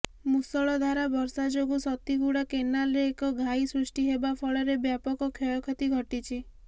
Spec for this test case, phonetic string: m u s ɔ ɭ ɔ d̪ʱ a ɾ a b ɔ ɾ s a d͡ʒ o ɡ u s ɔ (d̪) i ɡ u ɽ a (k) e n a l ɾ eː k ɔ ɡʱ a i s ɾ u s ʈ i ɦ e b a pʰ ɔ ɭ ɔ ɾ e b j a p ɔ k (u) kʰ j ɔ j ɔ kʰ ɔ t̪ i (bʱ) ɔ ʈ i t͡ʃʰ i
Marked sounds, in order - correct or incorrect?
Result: incorrect: t̪, correct, incorrect: ɔ, incorrect: ɡʱ

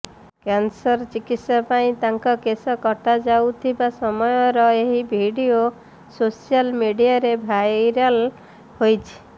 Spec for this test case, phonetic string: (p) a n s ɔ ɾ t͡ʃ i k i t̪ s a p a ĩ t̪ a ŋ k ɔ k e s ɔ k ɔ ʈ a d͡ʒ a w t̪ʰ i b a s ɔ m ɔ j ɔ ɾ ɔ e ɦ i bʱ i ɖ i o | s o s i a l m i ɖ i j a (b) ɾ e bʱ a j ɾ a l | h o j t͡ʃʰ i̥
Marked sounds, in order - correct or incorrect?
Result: incorrect: k, incorrect: none

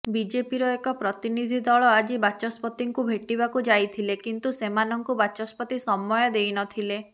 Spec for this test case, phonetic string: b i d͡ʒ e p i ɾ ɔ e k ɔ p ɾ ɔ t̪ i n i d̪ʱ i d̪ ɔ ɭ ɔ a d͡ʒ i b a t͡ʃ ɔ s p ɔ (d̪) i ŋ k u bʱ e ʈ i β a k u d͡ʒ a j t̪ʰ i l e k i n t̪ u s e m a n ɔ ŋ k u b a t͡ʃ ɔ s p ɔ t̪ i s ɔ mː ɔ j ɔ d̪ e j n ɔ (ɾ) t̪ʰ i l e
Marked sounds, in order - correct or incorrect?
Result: incorrect: t̪, incorrect: none

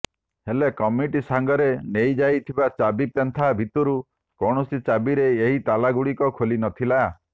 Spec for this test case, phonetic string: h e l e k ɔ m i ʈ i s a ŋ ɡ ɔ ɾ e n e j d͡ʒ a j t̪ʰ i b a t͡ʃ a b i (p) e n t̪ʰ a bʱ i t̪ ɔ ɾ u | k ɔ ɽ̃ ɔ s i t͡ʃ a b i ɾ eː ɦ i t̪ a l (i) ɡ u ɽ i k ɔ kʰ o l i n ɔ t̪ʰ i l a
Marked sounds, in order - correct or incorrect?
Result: correct, incorrect: a

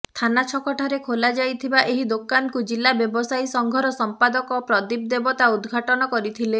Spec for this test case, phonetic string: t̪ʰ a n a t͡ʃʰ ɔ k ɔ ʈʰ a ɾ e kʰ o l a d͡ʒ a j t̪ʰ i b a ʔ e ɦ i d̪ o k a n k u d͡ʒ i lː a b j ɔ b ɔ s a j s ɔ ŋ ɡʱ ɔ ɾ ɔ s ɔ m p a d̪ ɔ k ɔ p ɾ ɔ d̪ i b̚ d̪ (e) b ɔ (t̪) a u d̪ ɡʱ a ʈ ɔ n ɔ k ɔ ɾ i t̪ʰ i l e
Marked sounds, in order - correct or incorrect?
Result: correct, correct

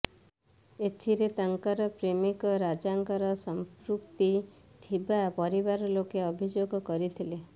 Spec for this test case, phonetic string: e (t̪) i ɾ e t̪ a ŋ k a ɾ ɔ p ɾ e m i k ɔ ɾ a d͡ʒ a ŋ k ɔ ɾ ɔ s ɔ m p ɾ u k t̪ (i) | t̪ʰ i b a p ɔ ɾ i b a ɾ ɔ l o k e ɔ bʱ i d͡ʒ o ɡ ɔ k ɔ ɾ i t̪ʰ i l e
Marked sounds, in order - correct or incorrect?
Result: incorrect: t̪ʰ, correct

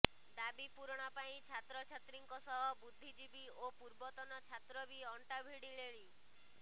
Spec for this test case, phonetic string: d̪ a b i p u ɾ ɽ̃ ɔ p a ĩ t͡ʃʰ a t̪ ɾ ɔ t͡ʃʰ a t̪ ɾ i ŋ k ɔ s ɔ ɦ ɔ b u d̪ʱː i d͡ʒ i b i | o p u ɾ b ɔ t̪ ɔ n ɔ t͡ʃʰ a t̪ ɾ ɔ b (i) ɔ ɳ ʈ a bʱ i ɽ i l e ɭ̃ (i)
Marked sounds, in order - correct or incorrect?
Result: correct, correct

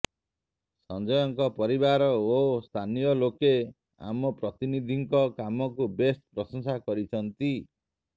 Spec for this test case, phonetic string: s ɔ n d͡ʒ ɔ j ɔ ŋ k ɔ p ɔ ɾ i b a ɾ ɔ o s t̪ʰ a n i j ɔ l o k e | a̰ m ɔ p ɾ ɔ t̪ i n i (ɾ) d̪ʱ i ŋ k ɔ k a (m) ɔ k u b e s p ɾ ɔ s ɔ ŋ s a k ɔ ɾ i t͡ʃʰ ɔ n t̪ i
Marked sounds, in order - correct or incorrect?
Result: incorrect: none, correct

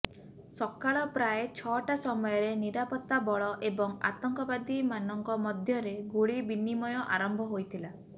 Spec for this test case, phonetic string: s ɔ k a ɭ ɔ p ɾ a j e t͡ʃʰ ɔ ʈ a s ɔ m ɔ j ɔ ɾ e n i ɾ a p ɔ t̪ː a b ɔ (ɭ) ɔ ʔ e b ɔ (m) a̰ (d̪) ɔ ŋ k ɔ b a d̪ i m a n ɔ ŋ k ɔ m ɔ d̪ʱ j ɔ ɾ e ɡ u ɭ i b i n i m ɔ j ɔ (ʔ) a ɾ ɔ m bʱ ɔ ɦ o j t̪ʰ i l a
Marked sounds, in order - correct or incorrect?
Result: correct, incorrect: ŋ, incorrect: t̪, correct

